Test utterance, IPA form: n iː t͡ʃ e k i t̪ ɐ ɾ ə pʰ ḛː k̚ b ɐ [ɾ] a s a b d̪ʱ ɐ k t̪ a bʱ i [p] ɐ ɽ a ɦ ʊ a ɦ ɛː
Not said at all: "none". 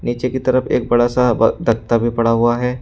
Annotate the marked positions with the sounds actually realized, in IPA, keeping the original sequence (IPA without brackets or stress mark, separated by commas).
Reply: ɽ, p